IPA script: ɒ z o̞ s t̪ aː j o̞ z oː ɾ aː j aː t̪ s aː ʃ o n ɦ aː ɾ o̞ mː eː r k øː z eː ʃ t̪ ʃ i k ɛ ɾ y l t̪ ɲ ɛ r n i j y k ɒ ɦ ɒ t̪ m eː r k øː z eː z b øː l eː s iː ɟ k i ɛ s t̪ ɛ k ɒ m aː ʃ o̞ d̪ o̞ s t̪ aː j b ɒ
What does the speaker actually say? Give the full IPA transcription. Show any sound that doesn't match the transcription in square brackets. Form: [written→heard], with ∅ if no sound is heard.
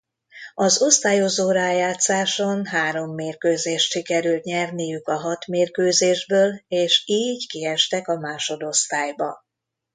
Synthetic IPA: ɒ z o̞ s t̪ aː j o̞ z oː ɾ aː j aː t̪ s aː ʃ o n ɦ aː ɾ o̞ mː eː r k øː z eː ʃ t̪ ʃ i k ɛ ɾ y l t̪ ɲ ɛ r n i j y k ɒ ɦ ɒ t̪ m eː r k øː z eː [z→ʒ] b øː l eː [s→ʃ] iː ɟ k i ɛ [s→ʃ] t̪ ɛ k ɒ m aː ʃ o̞ d̪ o̞ s t̪ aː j b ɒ